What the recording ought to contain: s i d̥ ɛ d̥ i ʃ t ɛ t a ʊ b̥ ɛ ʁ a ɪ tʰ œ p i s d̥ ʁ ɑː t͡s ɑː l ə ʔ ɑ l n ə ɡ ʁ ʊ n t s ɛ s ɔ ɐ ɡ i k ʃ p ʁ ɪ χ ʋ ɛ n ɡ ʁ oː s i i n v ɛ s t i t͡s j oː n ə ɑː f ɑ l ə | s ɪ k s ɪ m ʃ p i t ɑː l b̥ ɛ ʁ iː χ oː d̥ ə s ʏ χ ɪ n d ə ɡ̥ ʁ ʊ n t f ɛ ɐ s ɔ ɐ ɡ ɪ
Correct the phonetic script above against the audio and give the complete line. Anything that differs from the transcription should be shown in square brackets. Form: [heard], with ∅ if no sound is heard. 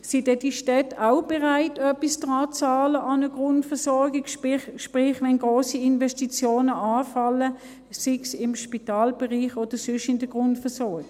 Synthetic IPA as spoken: s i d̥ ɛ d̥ i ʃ t ɛ t a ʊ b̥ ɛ ʁ a ɪ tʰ œ p i s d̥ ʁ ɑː t͡s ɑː l ə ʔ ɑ [∅] n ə ɡ ʁ ʊ n t [f] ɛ s ɔ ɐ ɡ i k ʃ p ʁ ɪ χ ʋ ɛ n ɡ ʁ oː s i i n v ɛ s t i t͡s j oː n ə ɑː f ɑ l ə | s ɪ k s ɪ m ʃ p i t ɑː l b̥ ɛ ʁ iː χ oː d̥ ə s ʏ [ʃ] ɪ n d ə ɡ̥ ʁ ʊ n t f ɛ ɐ s ɔ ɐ ɡ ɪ